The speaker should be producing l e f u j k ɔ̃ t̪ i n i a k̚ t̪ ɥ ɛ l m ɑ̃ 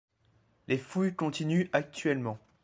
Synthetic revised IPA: l e f u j k ɔ̃ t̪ i n y a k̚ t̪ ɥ ɛ l m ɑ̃